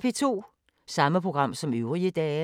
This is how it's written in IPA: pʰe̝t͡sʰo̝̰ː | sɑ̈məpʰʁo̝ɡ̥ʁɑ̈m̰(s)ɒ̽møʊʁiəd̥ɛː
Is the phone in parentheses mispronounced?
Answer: no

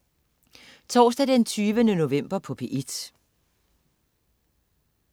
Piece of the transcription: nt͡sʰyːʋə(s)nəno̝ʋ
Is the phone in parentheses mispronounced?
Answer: yes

